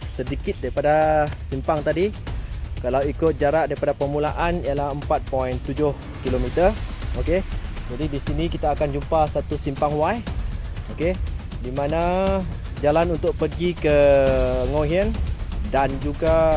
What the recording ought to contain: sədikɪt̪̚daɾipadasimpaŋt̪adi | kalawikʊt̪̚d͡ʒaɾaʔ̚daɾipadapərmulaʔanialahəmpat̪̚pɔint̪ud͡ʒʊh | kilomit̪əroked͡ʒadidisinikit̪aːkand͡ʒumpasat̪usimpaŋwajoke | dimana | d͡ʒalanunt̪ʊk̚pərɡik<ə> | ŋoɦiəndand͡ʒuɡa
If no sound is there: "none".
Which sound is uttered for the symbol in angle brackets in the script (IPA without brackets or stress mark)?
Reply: ə